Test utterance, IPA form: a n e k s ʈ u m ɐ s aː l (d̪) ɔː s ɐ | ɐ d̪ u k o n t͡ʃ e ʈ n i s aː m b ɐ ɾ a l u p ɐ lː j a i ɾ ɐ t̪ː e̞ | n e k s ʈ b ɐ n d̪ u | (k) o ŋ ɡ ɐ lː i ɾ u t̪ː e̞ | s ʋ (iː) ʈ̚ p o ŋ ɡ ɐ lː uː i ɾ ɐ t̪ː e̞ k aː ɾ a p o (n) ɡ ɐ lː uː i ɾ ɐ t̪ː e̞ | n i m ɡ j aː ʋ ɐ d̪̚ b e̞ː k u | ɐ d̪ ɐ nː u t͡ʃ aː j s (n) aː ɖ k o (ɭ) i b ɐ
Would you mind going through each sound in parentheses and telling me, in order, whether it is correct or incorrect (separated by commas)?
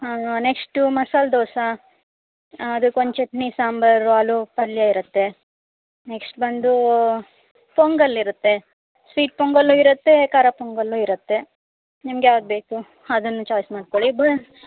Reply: correct, incorrect, correct, incorrect, incorrect, correct